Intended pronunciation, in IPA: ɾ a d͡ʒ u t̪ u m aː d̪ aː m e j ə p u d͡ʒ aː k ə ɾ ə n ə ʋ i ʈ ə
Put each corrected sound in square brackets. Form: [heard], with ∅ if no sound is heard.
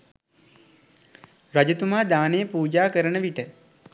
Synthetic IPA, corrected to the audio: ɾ a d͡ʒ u t̪ u m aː d̪ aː [n] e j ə p [uː] d͡ʒ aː k ə ɾ ə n ə ʋ i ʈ ə